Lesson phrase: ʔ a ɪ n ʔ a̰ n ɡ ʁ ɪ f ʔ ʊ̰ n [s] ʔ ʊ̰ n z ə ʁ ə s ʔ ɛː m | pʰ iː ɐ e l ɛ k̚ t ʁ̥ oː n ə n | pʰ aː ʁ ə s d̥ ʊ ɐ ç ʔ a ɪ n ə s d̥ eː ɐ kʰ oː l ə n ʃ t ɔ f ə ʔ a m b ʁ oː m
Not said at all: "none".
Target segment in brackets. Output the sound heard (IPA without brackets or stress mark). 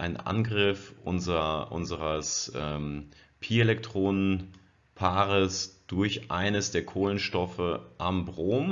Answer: z